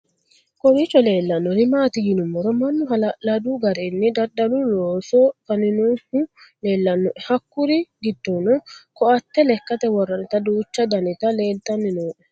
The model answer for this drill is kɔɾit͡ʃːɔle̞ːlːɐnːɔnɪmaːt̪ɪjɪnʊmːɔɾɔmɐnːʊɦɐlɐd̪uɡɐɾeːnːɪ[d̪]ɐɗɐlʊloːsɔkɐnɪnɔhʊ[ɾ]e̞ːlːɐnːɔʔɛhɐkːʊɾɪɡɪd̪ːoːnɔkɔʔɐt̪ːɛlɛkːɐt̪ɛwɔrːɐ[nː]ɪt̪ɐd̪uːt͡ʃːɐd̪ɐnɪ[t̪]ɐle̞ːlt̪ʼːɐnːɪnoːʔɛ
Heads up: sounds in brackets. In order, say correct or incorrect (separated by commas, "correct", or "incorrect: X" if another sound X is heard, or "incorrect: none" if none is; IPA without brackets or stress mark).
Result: correct, incorrect: l, incorrect: n, correct